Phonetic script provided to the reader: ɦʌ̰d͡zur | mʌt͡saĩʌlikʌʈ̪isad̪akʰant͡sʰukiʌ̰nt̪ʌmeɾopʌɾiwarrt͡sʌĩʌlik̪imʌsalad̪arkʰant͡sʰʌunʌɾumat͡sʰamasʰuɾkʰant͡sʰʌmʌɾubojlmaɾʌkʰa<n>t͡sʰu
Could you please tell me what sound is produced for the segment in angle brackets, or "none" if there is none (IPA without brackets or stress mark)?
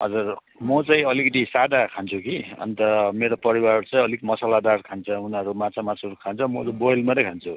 n